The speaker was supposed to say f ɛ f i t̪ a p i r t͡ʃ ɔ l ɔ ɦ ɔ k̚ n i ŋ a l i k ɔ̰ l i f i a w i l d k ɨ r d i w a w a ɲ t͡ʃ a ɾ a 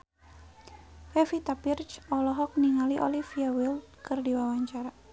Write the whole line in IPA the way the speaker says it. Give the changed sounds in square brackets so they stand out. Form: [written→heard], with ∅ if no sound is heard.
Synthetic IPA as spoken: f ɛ f i t̪ a p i r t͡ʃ ɔ l ɔ ɦ ɔ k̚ n i ŋ a l i [k→ʔ] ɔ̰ l i f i a w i l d k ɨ r d i w a w a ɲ t͡ʃ a ɾ a